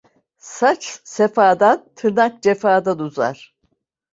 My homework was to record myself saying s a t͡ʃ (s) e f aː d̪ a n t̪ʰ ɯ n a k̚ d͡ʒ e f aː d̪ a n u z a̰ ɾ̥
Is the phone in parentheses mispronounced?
no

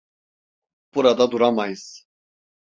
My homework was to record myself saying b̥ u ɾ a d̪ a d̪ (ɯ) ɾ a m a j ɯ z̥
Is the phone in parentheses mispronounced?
yes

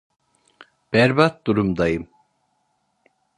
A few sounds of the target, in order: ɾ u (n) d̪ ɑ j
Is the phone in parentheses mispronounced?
yes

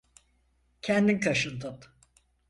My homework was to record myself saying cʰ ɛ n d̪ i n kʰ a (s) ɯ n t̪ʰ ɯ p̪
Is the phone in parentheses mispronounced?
yes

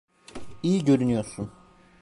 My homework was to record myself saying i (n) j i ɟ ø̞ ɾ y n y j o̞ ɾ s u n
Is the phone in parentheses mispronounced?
yes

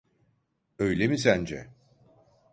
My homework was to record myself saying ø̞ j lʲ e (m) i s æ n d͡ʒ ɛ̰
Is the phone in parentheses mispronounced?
no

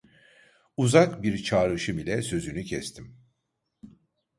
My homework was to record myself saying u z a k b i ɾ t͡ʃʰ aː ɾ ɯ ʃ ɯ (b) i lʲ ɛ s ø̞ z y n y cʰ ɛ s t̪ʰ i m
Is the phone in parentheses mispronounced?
yes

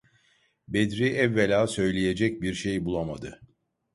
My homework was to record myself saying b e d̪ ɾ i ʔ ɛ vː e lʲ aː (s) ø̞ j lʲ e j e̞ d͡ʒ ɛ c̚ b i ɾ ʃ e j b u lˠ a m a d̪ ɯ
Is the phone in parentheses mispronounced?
no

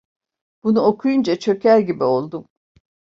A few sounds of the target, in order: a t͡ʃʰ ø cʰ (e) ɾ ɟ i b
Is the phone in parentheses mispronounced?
yes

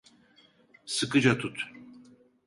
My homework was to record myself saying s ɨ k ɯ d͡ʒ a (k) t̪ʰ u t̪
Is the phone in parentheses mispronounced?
yes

